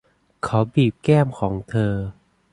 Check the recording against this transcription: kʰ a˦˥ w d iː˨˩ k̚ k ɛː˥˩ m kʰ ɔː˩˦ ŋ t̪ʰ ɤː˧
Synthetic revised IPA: kʰ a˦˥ w b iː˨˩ p̚ k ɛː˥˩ m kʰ ɔː˩˦ ŋ t̪ʰ ɤː˧